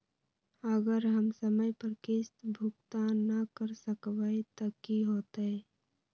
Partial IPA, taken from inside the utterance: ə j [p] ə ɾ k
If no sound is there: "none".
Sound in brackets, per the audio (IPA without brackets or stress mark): p